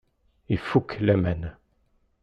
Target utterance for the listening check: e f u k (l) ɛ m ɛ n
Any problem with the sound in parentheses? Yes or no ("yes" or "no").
no